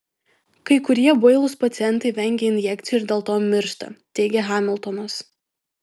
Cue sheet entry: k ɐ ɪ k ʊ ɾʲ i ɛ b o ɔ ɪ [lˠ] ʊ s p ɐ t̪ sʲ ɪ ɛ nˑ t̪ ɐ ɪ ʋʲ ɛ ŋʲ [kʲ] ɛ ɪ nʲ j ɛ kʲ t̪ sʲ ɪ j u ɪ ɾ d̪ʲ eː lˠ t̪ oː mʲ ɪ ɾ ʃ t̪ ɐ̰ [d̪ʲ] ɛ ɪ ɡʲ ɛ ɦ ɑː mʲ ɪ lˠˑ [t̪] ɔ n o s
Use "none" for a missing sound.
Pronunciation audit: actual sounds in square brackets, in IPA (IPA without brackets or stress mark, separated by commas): lˠ, ɡʲ, t̪ʲ, t̪